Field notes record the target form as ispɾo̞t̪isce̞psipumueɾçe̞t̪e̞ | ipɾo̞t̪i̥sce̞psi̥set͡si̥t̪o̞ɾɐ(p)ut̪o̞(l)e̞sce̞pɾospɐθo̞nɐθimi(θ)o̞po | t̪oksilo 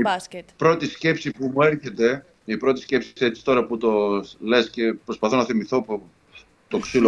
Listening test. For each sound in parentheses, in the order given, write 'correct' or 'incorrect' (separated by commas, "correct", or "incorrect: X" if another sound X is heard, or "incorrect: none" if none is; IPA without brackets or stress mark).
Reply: correct, correct, correct